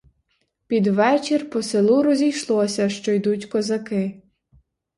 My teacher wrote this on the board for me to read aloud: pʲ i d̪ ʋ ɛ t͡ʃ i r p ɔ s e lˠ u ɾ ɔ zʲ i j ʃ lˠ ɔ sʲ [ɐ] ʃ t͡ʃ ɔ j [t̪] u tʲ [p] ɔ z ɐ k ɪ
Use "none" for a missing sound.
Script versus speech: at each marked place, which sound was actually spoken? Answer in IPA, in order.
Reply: ɐ, d̪, k

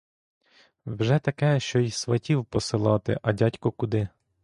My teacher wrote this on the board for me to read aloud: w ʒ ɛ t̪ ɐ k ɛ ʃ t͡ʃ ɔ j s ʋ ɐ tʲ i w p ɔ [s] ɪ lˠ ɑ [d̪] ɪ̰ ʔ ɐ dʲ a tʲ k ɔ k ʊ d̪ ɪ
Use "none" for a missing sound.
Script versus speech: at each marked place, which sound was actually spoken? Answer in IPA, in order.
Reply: s, t̪

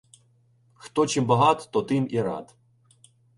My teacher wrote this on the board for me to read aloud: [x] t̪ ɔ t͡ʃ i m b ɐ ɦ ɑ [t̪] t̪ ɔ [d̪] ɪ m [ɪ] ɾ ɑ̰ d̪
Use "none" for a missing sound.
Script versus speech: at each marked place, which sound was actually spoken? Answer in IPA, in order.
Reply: x, t̪, t̪, i

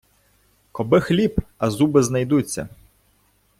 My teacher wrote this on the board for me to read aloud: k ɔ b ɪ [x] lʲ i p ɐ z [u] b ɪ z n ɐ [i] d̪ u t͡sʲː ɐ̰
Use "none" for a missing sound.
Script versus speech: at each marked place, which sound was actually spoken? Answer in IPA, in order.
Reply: x, u, j

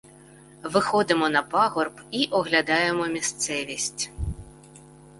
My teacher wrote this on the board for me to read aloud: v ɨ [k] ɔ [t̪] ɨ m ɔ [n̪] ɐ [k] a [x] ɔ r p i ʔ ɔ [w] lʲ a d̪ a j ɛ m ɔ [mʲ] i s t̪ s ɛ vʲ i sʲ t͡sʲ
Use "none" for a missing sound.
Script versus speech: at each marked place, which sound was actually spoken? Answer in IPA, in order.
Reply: x, d̪, n̪, p, ɣ, ɣ, mʲ

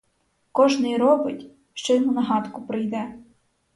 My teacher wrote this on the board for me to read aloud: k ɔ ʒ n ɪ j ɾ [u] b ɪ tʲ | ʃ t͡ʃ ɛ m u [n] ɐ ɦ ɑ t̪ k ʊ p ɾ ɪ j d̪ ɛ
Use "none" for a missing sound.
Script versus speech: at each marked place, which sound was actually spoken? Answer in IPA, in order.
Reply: ɔ, n

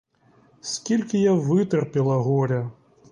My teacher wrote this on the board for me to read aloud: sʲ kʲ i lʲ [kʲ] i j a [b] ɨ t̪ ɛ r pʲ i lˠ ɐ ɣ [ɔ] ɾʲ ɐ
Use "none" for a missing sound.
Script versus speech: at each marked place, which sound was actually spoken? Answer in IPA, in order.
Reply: kʲ, v, ɔ

